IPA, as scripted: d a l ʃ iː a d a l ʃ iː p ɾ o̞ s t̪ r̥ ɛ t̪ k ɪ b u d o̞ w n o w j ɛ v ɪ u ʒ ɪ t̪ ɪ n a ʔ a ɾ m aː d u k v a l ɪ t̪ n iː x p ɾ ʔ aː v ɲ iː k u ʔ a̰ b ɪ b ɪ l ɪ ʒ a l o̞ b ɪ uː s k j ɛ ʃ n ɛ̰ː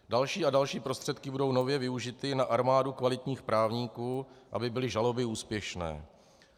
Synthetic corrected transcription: d a l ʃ iː a d a l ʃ iː p ɾ o̞ s t̪ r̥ ɛ t̪ k ɪ b u d o̞ w n o v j ɛ v ɪ u ʒ ɪ t̪ ɪ n a ʔ a ɾ m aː d u k v a l ɪ t̪ ɲ iː x p ɾ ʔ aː v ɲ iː k uː ʔ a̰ b ɪ b ɪ l ɪ ʒ a l o̞ b ɪ uː s p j ɛ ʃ n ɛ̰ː